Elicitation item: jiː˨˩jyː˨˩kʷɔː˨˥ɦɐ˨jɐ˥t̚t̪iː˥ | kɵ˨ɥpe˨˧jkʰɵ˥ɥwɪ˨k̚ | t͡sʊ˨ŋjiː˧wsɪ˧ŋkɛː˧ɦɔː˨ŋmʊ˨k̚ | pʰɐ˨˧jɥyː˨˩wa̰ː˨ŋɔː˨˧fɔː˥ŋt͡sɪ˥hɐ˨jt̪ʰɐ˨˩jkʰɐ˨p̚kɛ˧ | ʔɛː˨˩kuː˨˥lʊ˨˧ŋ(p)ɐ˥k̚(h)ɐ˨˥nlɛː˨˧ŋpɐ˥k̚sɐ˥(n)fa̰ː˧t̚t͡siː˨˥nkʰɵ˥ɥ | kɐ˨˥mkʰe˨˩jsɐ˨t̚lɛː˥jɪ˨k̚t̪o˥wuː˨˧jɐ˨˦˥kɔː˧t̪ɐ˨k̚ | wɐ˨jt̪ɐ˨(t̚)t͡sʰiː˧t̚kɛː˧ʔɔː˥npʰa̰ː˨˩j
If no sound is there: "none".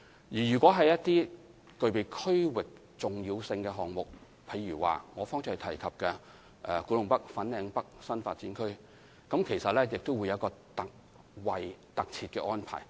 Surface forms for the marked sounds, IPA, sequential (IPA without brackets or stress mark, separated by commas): p, f, n, k̚